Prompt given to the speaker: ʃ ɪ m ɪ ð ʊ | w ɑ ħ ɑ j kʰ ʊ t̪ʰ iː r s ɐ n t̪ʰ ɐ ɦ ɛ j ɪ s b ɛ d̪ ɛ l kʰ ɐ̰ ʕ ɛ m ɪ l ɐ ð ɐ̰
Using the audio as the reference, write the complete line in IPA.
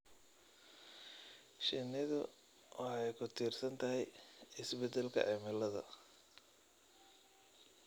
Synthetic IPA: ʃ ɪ n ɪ ð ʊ | w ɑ ħ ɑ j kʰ ʊ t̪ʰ iː r s ɐ n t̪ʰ ɐ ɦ ɛ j ɪ s b ɛ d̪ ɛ l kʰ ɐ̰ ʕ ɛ m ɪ l ɐ ð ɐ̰

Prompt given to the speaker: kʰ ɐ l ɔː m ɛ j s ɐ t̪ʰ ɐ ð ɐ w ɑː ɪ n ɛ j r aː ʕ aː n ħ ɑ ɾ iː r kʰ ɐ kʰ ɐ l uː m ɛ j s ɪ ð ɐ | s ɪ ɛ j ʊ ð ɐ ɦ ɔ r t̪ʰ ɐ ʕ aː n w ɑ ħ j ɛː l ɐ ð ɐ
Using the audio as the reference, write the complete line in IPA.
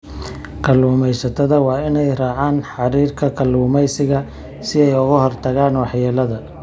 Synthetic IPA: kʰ ɐ l uː m ɛ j s ɐ t̪ʰ ɐ ð ɐ w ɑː ɪ n ɛ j r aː ʕ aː n ħ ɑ ɾ iː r kʰ ɐ kʰ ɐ l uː m ɛ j s ɪ ɣ ɐ | s ɪ ɛ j ʊ ɣ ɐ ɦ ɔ r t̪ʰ ɐ ɣ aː n w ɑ ħ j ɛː l ɐ ð ɐ

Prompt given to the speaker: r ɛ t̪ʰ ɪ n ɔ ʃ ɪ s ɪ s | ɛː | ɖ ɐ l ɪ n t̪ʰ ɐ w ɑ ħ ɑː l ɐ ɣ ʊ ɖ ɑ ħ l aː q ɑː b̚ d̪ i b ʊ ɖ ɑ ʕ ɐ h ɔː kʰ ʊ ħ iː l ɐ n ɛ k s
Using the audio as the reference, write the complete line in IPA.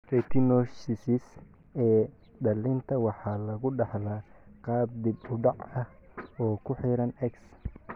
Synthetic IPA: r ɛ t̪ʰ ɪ n ɔ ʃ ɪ s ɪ s | ɛː | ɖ ɐ l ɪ n t̪ʰ ɐ w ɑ ħ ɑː l ɐ ɣ ʊ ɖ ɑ ħ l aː q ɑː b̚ d̪ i b ʊ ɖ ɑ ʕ ɐ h ɔː kʰ ʊ ħ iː ɾ ɐ n ɛ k s

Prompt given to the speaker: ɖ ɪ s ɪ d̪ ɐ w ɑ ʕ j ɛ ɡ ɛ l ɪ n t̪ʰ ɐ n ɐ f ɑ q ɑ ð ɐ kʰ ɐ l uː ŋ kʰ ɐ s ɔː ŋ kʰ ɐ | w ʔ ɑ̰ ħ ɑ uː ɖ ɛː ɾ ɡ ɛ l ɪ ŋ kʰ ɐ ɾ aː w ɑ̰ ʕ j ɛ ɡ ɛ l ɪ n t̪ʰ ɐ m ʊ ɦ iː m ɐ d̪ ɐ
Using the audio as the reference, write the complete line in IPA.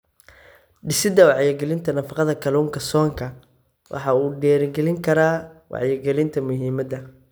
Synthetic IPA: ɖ ɪ s ɪ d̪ ɐ w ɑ ʕ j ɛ ɡ ɛ l ɪ n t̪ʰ ɐ n ɐ f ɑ q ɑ ð ɐ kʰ ɐ l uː ŋ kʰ ɐ s ɔː ŋ kʰ ɐ | w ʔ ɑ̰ ħ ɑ uː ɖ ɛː ɾ ɡ ɛ l ɪ ŋ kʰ ɐ ɾ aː w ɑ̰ ʕ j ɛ ɡ ɛ l ɪ n t̪ʰ ɐ m ʊ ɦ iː m ɐ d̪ ɐ

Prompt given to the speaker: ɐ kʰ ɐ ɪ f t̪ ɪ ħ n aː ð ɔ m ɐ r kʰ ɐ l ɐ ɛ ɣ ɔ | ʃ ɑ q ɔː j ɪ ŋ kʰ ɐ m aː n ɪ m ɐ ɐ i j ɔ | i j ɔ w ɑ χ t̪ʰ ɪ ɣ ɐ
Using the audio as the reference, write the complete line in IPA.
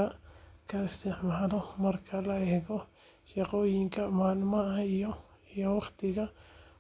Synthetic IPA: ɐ kʰ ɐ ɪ s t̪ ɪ ħ m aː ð ɔ m ɐ r kʰ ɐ l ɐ ɛ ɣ ɔ | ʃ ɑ q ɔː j ɪ ŋ kʰ ɐ m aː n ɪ m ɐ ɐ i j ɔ | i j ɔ w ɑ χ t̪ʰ ɪ ɣ ɐ

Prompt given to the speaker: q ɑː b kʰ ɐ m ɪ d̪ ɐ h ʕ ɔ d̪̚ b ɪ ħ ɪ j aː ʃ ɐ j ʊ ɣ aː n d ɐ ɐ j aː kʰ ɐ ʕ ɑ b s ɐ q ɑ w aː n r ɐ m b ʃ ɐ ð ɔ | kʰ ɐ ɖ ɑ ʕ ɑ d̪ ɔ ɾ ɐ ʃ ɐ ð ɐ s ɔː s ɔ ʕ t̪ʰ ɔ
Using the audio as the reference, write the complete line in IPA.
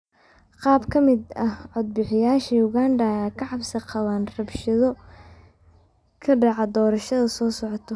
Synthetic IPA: q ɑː b kʰ ɐ m ɪ d̪ ɐ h ʕ ɔ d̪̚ b ɪ ħ ɪ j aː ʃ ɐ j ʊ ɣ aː n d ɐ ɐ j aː kʰ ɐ ʕ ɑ b s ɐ q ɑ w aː n r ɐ b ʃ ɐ ð ɔ | kʰ ɐ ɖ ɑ ʕ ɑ d̪ ɔː ɾ ɐ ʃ ɐ ð ɐ s ɔː s ɔ ʕ t̪ʰ ɔ

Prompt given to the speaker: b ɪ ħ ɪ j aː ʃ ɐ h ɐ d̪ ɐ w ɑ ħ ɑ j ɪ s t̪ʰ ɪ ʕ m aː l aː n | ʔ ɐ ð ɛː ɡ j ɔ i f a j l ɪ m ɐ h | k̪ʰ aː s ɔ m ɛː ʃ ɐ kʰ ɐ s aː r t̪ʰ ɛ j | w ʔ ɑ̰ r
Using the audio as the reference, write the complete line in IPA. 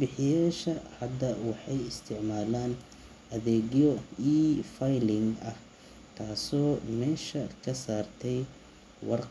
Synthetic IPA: b ɪ ħ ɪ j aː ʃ ɐ h ɐ d̪ ɐ w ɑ ħ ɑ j ɪ s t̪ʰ ɪ ʕ m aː l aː n | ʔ ɐ ð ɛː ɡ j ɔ i f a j l ɪ ŋ ɐ h | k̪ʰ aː s ɔː m ɛː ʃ ɐ kʰ ɐ s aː r t̪ʰ ɛ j | w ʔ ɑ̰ r

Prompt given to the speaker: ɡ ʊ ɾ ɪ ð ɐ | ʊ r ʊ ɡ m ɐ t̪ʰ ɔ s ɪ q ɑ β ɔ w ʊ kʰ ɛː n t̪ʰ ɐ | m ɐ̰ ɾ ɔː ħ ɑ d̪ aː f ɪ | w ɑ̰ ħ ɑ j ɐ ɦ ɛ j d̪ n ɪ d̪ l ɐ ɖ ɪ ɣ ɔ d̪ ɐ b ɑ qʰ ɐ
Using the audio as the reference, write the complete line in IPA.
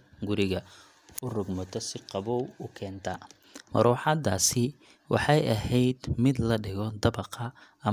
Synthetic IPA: ɡ ʊ ɾ ɪ ɣ ɐ | ʊ r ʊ ɡ m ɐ t̪ʰ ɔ s ɪ q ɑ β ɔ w ʊ kʰ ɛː n t̪ʰ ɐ | m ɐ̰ ɾ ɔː ħ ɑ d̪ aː s ɪ | w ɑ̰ ħ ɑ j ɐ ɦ ɛ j d̪ m ɪ d̪ l ɐ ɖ ɪ ɣ ɔ d̪ ɐ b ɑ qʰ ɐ

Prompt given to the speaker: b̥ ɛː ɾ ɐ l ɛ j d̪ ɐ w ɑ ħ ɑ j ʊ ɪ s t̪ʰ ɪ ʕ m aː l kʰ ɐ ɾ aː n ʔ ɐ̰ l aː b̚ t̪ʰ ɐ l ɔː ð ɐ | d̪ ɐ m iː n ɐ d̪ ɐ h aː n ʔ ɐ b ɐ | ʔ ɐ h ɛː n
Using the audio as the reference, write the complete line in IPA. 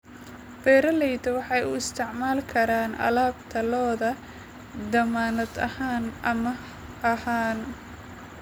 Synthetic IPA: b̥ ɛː ɾ ɐ l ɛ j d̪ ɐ w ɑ ħ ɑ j ʊ ɪ s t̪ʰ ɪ ʕ m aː l kʰ ɐ ɾ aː n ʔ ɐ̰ l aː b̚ t̪ʰ ɐ l ɔː ð ɐ | d̪ ɐ m aː n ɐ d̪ ɐ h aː n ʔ ɐ m ɐ | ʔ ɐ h aː n

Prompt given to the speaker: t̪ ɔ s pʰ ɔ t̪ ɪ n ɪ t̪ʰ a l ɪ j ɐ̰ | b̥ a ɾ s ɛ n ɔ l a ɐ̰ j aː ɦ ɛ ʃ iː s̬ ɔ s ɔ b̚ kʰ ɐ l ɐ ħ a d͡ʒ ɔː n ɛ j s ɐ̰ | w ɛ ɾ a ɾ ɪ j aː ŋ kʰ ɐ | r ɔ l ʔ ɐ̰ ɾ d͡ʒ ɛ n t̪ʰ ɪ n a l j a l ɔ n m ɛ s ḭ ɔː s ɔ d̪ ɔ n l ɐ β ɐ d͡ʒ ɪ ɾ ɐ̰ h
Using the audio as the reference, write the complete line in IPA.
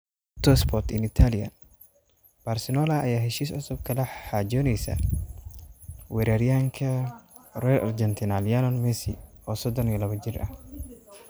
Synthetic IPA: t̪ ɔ s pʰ ɔ t̪ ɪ n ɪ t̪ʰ a l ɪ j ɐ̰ | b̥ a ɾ s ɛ n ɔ l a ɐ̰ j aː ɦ ɛ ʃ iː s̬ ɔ s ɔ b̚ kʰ ɐ l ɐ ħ a d͡ʒ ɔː n ɛ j s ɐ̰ | w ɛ ɾ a ɾ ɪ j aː ŋ kʰ ɐ | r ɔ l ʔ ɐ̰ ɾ d͡ʒ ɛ n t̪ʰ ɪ n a l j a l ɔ n m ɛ s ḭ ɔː s ɔ d̪ ɔ n l ɐ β ɐ d͡ʒ ɪ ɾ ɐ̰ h

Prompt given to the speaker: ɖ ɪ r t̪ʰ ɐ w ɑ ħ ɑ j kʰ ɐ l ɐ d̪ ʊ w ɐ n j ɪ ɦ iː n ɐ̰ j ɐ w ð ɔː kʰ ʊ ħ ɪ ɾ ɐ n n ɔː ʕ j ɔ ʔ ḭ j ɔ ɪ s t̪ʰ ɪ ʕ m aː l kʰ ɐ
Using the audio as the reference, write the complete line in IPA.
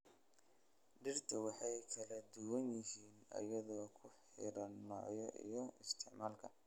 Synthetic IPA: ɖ ɪ r t̪ʰ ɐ w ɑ ħ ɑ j kʰ ɐ l ɐ d̪ ʊ w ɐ n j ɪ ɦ iː n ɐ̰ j ɐ ð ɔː kʰ ʊ ħ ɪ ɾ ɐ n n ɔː ʕ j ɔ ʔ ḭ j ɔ ɪ s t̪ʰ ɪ ʕ m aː l kʰ ɐ

